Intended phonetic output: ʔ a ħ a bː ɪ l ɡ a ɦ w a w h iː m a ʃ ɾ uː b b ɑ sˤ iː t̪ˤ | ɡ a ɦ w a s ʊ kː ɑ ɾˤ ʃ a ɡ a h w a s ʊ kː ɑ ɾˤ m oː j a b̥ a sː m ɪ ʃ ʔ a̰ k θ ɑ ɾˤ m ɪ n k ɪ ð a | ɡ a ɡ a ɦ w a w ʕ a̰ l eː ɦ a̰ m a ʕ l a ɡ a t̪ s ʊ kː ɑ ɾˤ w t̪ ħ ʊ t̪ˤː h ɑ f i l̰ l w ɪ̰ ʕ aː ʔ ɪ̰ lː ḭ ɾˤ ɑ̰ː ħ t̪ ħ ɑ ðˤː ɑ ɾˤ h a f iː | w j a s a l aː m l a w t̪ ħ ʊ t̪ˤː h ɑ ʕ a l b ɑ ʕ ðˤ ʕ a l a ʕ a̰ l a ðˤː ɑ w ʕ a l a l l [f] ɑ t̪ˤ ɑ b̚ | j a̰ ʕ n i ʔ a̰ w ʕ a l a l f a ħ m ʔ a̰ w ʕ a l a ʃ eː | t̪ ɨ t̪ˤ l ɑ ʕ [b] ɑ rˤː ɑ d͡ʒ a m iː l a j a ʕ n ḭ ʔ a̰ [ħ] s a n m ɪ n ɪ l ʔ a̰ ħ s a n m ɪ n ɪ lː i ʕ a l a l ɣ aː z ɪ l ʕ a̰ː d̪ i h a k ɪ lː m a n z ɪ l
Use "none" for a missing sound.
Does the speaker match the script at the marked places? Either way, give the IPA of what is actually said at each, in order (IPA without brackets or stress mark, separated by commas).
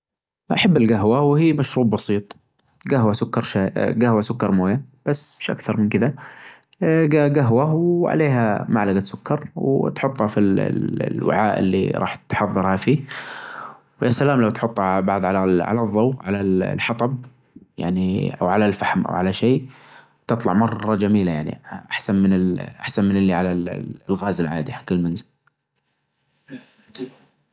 ħ, m, ħ